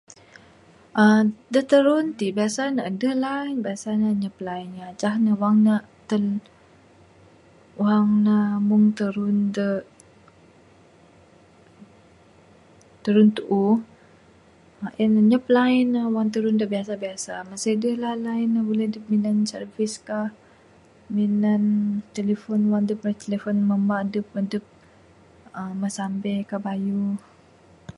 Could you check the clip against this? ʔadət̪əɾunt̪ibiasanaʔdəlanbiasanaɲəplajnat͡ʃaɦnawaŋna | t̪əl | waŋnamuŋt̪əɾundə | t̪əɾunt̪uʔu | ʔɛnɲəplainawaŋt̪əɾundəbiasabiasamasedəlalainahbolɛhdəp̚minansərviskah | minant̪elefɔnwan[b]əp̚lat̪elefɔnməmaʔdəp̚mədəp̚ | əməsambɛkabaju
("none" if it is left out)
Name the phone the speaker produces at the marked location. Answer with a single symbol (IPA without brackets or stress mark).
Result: d